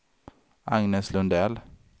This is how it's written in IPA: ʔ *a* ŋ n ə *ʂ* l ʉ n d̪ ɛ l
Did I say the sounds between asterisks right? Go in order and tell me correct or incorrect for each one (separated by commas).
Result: incorrect, incorrect